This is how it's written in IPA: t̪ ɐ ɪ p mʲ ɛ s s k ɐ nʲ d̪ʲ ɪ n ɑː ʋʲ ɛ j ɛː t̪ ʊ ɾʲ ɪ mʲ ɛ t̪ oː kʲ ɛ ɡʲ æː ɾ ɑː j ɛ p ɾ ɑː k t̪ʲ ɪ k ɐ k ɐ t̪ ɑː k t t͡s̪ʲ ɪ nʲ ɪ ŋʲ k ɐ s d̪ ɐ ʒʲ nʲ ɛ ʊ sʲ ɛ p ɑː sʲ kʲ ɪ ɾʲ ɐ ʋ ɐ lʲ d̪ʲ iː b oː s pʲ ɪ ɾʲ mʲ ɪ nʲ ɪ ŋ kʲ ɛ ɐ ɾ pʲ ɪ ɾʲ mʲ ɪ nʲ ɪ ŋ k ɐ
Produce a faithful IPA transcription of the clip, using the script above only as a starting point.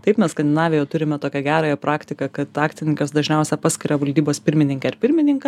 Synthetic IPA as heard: t̪ ɐ ɪ p mʲ ɛ s s k ɐ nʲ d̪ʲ ɪ n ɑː ʋʲ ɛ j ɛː t̪ ʊ ɾʲ ɪ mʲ ɛ t̪ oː kʲ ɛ ɡʲ æː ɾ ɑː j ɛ p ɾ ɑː k t̪ʲ ɪ k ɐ k ɐ t̪ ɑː k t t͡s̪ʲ ɪ nʲ ɪ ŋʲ k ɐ s d̪ ɐ ʒʲ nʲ ɛ ʊ sʲ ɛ p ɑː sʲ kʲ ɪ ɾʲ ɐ ʋ ɐ lʲ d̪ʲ iː b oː s pʲ ɪ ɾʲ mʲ ɪ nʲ ɪ ŋ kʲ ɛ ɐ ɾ pʲ ɪ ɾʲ mʲ ɪ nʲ ɪ ŋ k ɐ